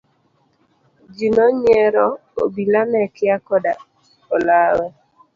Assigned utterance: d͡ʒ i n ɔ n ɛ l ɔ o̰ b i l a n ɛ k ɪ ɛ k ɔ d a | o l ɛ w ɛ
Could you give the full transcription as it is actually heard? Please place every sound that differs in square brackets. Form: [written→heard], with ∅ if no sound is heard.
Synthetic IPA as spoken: d͡ʒ i n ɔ [n→ɲ] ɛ [l→ɾ] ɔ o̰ b i l a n ɛ k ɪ [ɛ→a] k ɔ d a | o l [ɛ→a] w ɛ